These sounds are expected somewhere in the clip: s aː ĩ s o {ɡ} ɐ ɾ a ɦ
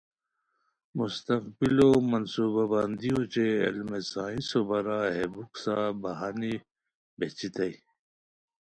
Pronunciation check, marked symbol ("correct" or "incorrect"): incorrect